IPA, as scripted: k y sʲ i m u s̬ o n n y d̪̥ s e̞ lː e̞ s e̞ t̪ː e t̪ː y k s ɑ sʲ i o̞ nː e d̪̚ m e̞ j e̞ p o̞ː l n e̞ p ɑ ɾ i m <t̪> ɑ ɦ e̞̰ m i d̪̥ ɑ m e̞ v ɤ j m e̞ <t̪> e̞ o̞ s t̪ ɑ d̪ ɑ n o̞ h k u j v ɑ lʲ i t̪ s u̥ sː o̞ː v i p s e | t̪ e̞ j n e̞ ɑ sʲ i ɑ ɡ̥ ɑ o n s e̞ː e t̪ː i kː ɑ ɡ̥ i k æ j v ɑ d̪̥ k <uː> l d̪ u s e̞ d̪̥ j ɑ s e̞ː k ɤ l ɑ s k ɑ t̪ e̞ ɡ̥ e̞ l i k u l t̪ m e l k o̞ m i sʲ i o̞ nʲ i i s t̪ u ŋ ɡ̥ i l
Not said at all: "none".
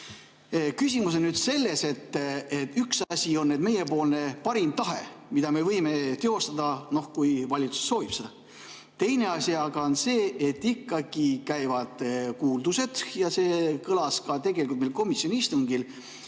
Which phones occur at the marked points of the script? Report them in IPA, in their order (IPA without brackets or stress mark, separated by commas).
t̪, t̪, uː